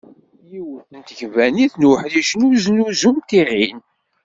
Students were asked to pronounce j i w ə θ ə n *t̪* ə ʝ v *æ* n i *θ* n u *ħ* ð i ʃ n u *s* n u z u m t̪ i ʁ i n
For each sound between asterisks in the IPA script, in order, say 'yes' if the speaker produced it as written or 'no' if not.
yes, yes, yes, yes, no

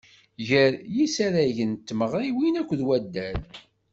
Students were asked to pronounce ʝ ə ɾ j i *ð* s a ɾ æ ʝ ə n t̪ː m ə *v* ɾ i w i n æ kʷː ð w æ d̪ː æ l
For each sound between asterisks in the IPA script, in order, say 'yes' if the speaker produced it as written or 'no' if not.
no, no

